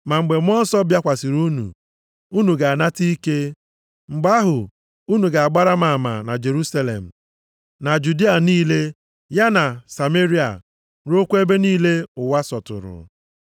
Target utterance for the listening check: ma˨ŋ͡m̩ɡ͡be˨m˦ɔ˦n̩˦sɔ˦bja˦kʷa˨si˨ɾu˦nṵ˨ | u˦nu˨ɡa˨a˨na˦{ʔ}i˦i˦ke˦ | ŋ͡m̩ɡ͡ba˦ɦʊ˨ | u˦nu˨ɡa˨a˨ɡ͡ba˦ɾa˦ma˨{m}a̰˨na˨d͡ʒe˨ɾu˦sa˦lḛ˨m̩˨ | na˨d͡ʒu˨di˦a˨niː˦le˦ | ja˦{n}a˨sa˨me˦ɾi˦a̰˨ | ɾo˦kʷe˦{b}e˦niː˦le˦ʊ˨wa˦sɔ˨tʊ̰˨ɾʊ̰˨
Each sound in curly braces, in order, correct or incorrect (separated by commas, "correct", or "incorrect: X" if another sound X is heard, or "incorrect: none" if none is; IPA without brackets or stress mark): incorrect: t, correct, correct, correct